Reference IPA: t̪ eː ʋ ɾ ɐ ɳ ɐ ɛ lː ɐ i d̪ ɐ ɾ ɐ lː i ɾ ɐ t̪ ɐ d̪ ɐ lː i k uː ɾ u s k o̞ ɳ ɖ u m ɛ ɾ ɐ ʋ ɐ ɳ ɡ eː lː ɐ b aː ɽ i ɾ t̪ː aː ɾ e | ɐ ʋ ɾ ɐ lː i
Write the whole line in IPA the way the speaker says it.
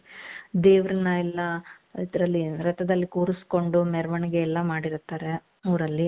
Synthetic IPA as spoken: d̪ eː ʋ ɾ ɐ n ɐ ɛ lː ɐ i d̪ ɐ ɾ ɐ lː i ɾ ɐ t̪ ɐ d̪ ɐ lː i k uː ɾ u s k o̞ ɳ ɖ u m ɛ ɾ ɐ ʋ ɐ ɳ ɡ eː lː ɐ m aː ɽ i ɾ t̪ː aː ɾ e | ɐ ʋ ɾ ɐ lː i